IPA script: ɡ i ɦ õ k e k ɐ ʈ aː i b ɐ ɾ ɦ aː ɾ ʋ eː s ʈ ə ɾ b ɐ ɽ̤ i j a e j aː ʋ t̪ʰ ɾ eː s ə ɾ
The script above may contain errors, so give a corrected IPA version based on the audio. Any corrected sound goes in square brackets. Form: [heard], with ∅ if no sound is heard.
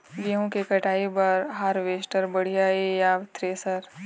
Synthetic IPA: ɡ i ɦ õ k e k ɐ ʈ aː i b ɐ ɾ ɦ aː ɾ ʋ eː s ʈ ə ɾ b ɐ ɽ̤ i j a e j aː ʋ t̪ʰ ɾ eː s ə ɾ